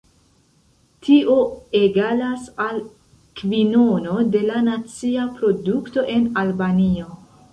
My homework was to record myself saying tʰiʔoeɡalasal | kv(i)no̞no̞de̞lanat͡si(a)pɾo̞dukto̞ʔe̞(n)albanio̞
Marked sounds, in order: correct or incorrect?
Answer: correct, correct, correct

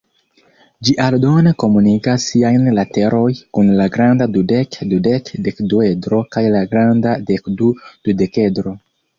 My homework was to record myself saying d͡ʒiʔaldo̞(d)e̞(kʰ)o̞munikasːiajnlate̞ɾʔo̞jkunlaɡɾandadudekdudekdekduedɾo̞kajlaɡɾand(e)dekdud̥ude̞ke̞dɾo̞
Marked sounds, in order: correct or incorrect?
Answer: incorrect: n, incorrect: k, incorrect: a

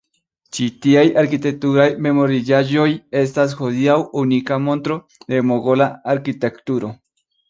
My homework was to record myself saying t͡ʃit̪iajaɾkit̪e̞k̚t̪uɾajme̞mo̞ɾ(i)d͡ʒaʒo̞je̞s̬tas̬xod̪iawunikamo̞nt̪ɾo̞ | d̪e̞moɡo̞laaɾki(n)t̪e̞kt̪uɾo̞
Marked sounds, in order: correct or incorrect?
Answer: correct, incorrect: none

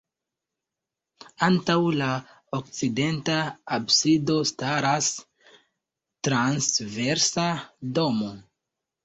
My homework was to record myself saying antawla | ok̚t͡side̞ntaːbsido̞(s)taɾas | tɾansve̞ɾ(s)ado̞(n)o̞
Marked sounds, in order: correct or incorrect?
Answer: correct, correct, incorrect: m

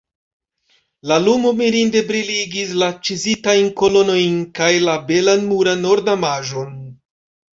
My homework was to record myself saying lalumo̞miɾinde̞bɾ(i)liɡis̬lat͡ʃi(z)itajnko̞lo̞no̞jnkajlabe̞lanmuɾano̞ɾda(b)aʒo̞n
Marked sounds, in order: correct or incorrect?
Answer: correct, correct, incorrect: m

